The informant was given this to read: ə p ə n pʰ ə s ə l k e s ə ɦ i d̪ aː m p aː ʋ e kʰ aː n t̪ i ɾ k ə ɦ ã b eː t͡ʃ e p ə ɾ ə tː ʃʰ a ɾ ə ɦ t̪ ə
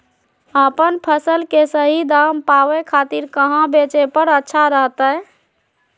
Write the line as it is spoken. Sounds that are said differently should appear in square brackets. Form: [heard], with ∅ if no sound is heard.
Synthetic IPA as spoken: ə p ə n pʰ ə s ə l k e s ə ɦ i d̪ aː m p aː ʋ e kʰ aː [∅] t̪ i ɾ k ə ɦ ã b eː t͡ʃ e p ə ɾ ə tː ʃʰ a ɾ ə ɦ t̪ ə